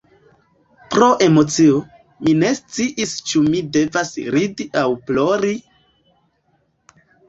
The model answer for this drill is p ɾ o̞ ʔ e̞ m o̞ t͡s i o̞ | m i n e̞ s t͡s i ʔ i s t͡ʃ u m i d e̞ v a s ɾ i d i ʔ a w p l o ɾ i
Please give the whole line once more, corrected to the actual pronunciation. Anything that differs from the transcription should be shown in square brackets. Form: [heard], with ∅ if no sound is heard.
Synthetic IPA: p ɾ o̞ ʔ e̞ m o̞ t͡s i o̞ | m i n e̞ s t͡s i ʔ i s t͡ʃ u m i d e̞ v a s ɾ i d i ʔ a w p l o ɾ i